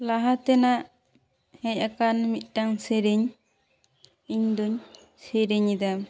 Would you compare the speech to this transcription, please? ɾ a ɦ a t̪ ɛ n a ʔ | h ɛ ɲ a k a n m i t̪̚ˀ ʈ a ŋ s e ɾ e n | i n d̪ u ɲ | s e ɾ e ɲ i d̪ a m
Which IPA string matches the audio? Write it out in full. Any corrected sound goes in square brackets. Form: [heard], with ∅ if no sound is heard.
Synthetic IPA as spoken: [l] a ɦ a t̪ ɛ n a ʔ | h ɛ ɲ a k a n m i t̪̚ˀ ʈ a ŋ s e ɾ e [ɲ] | i [ɲ] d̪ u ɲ | s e ɾ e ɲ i d̪ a m